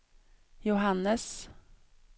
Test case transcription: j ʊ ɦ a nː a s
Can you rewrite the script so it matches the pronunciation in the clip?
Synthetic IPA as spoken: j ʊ ɦ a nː ə s